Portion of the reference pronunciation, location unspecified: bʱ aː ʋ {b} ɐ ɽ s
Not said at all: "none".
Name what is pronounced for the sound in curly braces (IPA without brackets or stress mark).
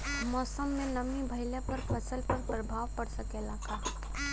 p